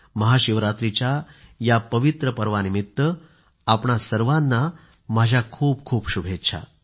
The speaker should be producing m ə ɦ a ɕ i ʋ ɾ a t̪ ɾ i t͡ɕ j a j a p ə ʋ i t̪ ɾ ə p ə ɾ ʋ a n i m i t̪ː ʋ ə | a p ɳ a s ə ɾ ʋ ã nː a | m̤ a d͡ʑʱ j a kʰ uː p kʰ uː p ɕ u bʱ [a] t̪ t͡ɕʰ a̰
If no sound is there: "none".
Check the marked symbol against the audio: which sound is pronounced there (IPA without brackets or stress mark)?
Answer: e